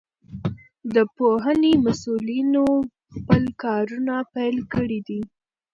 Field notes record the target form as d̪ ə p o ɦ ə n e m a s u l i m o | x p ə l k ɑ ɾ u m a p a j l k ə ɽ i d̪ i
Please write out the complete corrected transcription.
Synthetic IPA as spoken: d̪ ə p o ɦ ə n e m a s u l i n o | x p ə l k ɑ ɾ u n a p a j l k ə ɽ i d̪ i